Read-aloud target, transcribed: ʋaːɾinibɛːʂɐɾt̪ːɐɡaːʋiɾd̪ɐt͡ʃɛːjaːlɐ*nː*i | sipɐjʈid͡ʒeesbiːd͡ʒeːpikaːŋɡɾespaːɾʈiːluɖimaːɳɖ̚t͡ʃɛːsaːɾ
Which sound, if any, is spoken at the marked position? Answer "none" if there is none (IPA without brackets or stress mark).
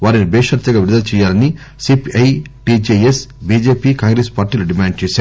n